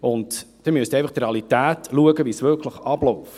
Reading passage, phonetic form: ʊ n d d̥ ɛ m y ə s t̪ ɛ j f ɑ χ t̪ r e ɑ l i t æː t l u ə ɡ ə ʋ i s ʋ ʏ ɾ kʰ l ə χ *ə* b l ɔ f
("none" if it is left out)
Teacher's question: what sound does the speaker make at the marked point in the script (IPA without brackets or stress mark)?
ɑ